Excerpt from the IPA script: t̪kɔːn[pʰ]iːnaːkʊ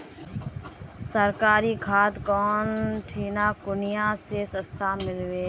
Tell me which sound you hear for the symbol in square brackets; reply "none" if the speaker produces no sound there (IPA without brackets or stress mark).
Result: ʈʰ